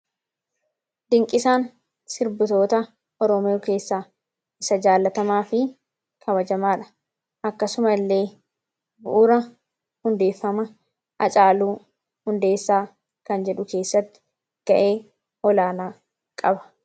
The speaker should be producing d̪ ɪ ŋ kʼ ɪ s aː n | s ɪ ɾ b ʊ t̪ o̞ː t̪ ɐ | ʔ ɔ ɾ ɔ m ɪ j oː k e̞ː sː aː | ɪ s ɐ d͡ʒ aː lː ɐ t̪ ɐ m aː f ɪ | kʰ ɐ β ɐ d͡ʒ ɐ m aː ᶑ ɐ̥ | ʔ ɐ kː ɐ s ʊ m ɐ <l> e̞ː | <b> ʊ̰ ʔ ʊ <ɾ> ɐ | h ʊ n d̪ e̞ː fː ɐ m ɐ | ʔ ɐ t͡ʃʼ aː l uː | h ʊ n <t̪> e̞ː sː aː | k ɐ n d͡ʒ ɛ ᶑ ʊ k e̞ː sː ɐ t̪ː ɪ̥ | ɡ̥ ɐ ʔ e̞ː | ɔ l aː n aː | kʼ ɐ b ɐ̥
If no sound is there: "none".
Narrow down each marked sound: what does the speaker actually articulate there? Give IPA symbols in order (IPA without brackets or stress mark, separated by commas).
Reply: lː, b, ɾ, d̪